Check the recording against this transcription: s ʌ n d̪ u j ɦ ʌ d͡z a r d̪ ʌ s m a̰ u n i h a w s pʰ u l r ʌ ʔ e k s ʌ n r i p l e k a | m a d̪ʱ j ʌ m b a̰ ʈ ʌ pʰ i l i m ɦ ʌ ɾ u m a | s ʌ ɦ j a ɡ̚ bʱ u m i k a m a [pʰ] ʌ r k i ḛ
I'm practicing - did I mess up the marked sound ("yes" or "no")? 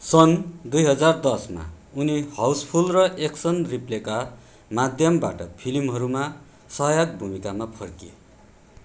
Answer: no